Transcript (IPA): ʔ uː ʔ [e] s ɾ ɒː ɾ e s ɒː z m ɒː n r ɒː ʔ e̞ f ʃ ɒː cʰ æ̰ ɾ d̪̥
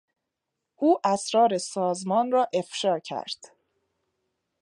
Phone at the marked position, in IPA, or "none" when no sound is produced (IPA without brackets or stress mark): æ